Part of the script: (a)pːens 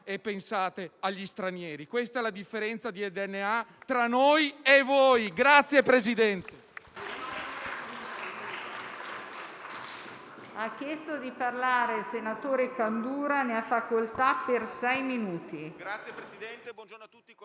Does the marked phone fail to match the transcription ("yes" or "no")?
yes